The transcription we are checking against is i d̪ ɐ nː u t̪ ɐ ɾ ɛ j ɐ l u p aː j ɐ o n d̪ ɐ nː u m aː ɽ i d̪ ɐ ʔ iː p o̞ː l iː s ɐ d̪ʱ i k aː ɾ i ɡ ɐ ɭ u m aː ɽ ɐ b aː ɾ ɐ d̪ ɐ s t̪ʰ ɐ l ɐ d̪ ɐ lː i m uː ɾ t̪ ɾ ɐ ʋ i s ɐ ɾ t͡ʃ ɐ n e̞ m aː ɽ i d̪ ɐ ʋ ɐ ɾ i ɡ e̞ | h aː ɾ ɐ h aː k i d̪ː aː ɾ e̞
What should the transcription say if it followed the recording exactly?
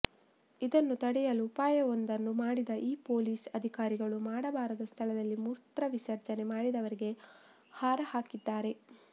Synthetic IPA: i d̪ ɐ nː u t̪ ɐ ɽ ɛ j ɐ l u p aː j ɐ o n d̪ ɐ nː u m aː ɽ i d̪ ɐ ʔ iː p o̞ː l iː s ɐ d̪ʱ i k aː ɾ i ɡ ɐ ɭ u m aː ɽ ɐ b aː ɾ ɐ d̪ ɐ s t̪ʰ ɐ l ɐ d̪ ɐ lː i m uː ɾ t̪ ɾ ɐ ʋ i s ɐ ɾ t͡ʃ ɐ n e̞ m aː ɽ i d̪ ɐ ʋ ɐ ɾ i ɡ e̞ | h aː ɾ ɐ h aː k i d̪ː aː ɾ e̞